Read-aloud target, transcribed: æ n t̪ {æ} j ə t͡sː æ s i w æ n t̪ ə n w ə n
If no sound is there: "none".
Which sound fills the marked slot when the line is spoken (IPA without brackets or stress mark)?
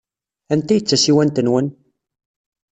æ